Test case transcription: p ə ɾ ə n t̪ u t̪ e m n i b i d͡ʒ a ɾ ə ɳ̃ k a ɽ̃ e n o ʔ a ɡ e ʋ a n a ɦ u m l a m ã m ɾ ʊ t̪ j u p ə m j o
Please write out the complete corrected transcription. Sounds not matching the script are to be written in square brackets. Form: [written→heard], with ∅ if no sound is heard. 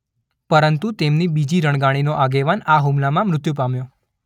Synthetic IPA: p ə ɾ ə n t̪ u t̪ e m n i b i d͡ʒ [a→i] ɾ ə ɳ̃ [k→ɡ] a ɽ̃ [e→i] n o ʔ a ɡ e ʋ a n a ɦ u m l a m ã m ɾ ʊ t̪ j u p [ə→a] m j o

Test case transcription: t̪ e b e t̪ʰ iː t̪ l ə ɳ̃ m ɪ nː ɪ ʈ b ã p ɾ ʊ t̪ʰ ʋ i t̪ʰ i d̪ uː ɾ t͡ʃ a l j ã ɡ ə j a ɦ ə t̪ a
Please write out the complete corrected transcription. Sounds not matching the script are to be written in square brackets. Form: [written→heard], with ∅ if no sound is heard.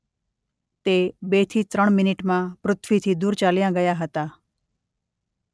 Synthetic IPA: t̪ e b e t̪ʰ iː t̪ [l→ɾ] ə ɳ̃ m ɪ [nː→n] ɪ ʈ [b→m] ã p ɾ ʊ t̪ʰ ʋ i t̪ʰ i d̪ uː ɾ t͡ʃ a l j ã ɡ ə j a ɦ ə t̪ a

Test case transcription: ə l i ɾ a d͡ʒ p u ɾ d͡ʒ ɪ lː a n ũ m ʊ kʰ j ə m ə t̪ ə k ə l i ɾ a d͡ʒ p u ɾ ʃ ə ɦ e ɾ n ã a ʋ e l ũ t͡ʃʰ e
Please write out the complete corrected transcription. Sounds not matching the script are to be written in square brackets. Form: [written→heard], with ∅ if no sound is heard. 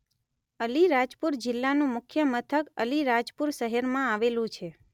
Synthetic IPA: ə l i ɾ a d͡ʒ p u ɾ d͡ʒ ɪ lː a n ũ m ʊ kʰ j ə m ə [t̪→t̪ʰ] ə k ə l i ɾ a d͡ʒ p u ɾ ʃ ə ɦ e ɾ [n→m] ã a ʋ e l ũ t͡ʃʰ e

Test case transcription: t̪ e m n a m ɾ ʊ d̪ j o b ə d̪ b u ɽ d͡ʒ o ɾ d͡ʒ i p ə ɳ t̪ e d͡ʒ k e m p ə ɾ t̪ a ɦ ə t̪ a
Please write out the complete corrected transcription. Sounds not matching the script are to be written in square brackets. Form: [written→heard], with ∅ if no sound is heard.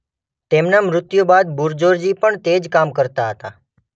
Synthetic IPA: t̪ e m n a m ɾ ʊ [d̪→t̪] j o b [ə→a] d̪ b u [ɽ→ɾ] d͡ʒ o ɾ d͡ʒ i p ə ɳ t̪ e d͡ʒ k [e→a] m [p→k] ə ɾ t̪ a ɦ ə t̪ a

